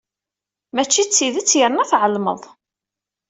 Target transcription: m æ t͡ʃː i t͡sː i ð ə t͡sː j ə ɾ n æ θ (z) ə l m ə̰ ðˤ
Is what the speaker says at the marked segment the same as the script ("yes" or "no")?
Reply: no